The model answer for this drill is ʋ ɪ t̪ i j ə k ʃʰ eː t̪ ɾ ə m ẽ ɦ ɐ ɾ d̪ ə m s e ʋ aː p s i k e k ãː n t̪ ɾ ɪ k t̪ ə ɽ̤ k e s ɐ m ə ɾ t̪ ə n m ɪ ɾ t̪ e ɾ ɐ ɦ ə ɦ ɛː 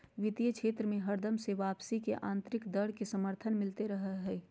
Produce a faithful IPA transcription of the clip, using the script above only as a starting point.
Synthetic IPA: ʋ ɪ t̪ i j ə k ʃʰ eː t̪ ɾ ə m ẽ ɦ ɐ ɾ d̪ ə m s e ʋ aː p s i k e ʔ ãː n t̪ ɾ ɪ k d̪ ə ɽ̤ k e s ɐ m ə ɾ t̪ʰ ə n m ɪ l t̪ e ɾ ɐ ɦ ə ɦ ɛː